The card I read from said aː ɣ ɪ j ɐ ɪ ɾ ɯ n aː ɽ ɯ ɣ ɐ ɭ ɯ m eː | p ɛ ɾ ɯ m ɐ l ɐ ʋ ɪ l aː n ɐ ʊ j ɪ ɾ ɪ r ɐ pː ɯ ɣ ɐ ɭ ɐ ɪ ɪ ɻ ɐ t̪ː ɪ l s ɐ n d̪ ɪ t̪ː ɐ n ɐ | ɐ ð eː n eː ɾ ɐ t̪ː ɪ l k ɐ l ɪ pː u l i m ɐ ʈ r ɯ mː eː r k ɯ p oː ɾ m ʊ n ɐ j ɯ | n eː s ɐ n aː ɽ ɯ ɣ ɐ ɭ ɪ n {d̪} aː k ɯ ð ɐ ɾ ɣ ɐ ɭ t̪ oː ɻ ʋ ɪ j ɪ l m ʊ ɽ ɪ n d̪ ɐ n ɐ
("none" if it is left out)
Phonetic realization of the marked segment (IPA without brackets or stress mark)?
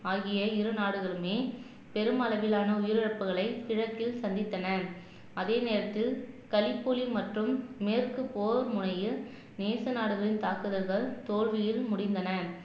t̪